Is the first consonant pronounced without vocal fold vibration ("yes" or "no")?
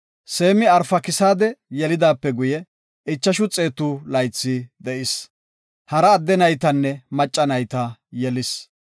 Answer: yes